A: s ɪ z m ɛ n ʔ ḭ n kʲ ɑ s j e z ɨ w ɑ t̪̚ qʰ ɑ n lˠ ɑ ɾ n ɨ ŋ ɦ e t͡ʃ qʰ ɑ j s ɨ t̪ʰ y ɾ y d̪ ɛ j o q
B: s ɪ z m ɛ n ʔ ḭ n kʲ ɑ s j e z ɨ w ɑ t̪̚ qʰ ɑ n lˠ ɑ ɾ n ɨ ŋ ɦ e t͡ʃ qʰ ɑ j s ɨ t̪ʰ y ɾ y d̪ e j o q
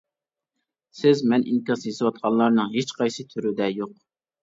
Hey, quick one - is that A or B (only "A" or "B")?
A